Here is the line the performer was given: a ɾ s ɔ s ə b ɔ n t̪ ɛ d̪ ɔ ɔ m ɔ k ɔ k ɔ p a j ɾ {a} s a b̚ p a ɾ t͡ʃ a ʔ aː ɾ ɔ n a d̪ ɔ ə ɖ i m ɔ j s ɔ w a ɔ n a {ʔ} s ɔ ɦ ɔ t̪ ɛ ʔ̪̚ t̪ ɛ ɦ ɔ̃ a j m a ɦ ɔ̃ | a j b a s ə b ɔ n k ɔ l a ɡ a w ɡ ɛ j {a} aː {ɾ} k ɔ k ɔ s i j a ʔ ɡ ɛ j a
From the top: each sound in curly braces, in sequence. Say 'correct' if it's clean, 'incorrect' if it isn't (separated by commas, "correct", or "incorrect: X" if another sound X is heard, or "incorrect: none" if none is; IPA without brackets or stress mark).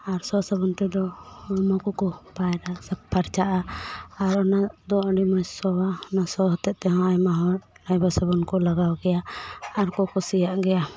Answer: correct, incorrect: none, correct, correct